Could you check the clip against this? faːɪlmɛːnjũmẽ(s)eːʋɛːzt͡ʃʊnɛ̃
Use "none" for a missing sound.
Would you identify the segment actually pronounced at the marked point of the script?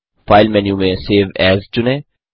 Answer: s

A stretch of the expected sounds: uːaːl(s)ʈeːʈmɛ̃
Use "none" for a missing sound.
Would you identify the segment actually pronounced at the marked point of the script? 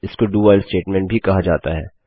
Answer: s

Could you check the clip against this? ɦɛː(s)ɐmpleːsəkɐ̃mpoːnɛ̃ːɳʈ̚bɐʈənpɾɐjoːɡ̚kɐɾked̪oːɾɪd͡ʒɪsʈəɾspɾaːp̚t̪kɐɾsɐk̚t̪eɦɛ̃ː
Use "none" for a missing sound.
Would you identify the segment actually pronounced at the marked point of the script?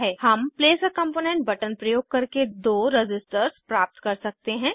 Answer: h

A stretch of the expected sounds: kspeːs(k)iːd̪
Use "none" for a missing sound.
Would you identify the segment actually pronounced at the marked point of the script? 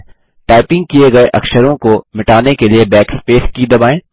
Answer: k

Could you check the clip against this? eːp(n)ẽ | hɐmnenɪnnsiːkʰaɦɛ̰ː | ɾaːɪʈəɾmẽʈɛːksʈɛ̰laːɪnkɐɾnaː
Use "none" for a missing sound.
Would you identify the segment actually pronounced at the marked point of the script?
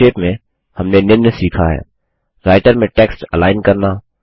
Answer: m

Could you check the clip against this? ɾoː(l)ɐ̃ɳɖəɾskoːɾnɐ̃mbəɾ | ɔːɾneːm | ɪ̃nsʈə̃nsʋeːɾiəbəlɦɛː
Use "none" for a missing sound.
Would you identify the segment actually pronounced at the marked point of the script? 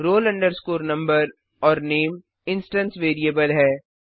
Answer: l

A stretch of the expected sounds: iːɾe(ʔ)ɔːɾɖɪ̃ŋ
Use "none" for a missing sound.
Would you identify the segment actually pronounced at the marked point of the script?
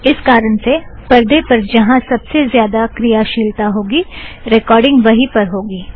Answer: k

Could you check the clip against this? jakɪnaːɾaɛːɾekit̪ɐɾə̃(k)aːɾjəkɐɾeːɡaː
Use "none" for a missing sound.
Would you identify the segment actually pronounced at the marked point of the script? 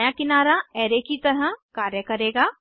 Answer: k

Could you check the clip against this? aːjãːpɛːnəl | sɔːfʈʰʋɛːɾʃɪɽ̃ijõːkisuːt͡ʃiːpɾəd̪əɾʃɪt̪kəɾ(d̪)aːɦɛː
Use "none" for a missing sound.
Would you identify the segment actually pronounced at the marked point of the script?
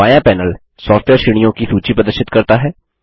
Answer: t̪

